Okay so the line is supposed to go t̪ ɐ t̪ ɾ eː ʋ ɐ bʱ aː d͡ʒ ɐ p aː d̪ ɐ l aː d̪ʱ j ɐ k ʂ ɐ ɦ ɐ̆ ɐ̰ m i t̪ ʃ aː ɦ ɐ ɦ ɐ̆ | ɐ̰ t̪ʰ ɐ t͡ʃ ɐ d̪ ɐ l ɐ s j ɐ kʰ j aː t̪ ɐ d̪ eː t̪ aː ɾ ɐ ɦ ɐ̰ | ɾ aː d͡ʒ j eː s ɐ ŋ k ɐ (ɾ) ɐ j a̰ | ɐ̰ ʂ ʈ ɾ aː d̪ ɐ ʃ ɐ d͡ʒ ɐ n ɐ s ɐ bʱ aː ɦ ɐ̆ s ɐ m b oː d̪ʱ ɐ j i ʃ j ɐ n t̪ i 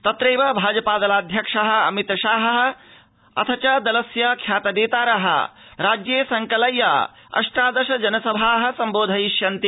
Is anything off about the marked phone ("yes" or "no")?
yes